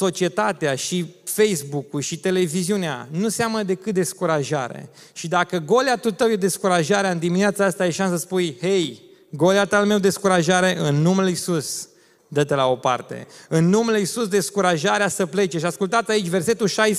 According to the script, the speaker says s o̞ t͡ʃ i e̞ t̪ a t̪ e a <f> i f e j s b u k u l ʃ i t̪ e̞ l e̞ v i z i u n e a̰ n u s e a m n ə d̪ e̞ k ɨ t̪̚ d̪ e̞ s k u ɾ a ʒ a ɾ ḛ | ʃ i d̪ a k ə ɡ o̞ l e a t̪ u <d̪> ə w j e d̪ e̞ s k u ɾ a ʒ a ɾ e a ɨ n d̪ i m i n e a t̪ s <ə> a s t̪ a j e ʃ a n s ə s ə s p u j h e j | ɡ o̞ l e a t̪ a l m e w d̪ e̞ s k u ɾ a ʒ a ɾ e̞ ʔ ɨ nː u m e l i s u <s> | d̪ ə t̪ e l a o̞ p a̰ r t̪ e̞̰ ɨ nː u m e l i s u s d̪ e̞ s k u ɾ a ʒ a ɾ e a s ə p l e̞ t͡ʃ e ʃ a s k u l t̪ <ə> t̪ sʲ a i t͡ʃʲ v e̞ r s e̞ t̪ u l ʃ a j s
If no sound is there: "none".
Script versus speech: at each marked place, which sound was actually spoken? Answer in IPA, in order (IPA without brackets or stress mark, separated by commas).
ʃ, t̪, a, s, a